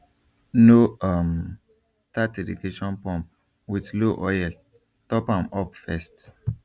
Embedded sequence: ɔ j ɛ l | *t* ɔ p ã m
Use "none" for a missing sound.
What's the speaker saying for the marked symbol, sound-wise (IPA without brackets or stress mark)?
t